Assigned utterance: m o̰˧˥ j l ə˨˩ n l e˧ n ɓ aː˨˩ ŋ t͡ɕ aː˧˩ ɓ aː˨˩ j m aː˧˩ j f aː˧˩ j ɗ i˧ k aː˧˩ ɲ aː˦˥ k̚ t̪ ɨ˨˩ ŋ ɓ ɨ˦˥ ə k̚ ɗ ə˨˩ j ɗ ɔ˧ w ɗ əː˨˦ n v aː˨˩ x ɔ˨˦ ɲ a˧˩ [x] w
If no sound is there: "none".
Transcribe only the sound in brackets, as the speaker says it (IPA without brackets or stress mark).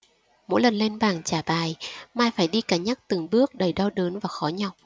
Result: none